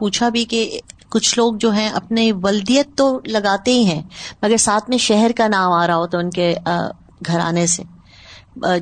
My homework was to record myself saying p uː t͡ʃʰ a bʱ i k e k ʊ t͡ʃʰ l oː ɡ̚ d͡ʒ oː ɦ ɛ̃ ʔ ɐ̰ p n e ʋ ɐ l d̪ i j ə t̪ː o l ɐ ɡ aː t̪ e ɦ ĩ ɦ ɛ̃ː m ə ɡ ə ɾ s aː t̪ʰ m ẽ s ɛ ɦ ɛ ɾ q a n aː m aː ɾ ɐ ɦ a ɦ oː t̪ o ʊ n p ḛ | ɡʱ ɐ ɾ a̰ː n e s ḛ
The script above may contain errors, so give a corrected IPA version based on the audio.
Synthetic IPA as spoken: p uː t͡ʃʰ a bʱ i k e k ʊ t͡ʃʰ l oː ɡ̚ d͡ʒ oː ɦ ɛ̃ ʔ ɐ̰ p n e ʋ ɐ l d̪ i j ə t̪ː o l ɐ ɡ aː t̪ e ɦ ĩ ɦ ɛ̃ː m ɐ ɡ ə ɾ s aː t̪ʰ m ẽ ʃ ɛ ɦ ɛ ɾ k a n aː m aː ɾ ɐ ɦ a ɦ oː t̪ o ʊ n k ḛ | ɡʱ ɐ ɾ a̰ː n e s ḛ